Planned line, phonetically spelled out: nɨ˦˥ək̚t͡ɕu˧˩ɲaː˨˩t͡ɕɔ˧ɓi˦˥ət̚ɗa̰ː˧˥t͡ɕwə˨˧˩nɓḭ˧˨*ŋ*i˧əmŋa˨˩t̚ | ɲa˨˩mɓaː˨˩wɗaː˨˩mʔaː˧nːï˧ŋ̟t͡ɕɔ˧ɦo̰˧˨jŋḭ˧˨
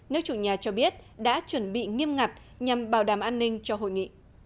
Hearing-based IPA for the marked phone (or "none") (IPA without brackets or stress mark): ŋ